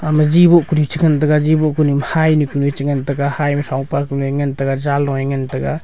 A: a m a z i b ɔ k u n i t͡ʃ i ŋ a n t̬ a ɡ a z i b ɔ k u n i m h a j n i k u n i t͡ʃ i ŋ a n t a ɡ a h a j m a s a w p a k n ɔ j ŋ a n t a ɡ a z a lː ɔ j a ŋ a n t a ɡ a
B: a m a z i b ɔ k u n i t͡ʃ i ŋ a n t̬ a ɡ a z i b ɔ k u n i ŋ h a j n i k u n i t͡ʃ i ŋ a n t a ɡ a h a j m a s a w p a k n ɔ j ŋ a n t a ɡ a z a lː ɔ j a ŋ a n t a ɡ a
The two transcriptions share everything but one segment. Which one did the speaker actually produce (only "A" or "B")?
A